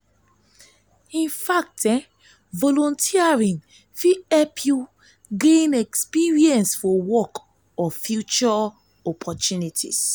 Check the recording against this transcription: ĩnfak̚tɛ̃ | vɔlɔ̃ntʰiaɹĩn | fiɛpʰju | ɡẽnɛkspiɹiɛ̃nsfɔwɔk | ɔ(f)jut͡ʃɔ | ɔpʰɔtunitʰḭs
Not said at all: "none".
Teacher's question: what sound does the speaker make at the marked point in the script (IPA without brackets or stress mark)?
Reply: f